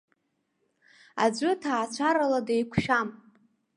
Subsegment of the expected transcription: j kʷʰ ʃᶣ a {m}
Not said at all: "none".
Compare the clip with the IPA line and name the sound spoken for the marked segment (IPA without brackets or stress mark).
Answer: m